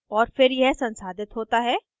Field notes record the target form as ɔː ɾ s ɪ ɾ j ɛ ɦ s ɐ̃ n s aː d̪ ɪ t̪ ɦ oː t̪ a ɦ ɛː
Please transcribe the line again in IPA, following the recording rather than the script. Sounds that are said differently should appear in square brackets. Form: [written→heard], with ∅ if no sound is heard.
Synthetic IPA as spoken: ɔː ɾ [s→f] ɪ ɾ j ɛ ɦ s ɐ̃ n s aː d̪ ɪ t̪ ɦ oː t̪ a ɦ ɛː